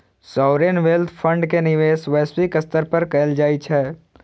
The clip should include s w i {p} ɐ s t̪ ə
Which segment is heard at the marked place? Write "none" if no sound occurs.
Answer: k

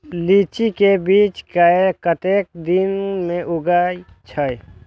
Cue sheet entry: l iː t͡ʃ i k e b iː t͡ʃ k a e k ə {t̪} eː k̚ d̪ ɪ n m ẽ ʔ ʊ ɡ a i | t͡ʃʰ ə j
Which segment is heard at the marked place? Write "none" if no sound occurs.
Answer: t̪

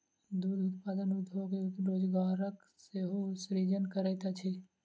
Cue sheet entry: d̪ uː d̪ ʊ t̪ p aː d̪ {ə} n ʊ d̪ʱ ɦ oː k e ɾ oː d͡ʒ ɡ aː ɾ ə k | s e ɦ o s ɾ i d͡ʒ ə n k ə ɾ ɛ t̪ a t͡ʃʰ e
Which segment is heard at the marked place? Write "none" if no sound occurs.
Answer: ə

